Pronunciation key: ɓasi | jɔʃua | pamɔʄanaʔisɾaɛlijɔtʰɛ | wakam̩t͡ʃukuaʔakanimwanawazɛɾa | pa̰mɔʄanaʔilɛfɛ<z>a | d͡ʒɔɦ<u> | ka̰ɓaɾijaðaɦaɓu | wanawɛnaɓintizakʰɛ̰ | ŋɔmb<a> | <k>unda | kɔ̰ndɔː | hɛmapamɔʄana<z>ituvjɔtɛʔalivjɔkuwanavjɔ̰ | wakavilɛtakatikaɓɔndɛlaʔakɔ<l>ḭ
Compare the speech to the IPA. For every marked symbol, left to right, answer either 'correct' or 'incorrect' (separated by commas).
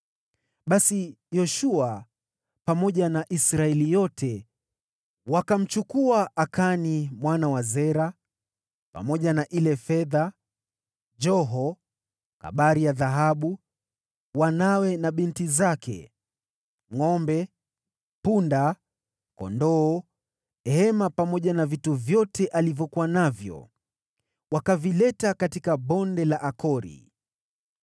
incorrect, incorrect, incorrect, incorrect, incorrect, incorrect